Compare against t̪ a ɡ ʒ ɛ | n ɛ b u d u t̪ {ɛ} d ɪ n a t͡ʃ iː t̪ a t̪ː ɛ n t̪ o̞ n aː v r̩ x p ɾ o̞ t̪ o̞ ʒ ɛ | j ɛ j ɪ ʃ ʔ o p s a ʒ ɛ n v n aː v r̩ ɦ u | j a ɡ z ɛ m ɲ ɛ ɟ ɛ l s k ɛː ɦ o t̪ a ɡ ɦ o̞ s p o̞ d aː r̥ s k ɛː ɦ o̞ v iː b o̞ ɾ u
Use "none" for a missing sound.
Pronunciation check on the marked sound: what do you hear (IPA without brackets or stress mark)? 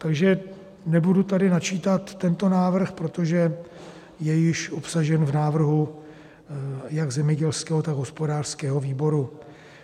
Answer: a